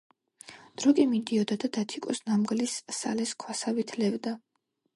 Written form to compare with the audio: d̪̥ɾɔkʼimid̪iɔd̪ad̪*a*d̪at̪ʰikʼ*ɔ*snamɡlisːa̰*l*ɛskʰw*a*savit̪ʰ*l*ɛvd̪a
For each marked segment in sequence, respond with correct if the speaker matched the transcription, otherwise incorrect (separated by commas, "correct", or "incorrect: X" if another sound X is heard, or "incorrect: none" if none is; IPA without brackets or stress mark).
correct, correct, correct, correct, correct